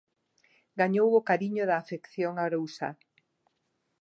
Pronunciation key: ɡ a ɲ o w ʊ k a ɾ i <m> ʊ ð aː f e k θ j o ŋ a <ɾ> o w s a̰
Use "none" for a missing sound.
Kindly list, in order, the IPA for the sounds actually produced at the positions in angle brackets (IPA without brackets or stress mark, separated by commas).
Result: ɲ, ɾ